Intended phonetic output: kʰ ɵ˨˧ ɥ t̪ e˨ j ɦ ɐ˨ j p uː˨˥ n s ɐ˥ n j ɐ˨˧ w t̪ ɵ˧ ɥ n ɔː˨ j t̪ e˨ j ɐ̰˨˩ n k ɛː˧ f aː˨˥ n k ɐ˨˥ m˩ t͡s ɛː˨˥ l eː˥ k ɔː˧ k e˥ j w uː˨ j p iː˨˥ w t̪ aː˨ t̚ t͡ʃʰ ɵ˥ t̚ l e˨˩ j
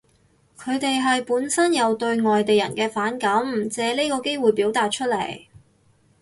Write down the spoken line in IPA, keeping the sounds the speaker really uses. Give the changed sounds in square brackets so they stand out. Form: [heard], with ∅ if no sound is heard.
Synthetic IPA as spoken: kʰ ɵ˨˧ ɥ t̪ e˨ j ɦ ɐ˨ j p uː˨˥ n s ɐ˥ n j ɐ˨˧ w t̪ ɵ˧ ɥ [ŋ] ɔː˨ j t̪ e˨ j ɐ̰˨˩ n k ɛː˧ f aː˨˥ n k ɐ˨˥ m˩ t͡s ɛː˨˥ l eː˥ k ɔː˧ k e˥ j w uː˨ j p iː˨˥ w t̪ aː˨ t̚ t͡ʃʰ ɵ˥ t̚ l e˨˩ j